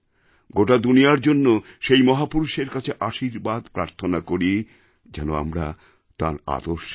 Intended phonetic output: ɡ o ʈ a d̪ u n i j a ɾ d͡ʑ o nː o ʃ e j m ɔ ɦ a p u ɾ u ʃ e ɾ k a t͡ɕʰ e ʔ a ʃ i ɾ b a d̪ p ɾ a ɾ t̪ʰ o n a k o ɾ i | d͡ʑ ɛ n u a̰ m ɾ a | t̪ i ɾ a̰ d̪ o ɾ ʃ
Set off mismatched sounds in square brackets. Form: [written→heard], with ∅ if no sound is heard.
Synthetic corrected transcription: ɡ o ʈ a d̪ u n i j a ɾ d͡ʑ o nː o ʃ e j m ɔ ɦ a p u ɾ u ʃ e ɾ k a t͡ɕʰ e ʔ a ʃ i ɾ b a d̪ p ɾ a ɾ t̪ʰ o n a k o ɾ i | d͡ʑ ɛ n [u→o] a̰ m ɾ a | t̪ [i→a] ɾ a̰ d̪ o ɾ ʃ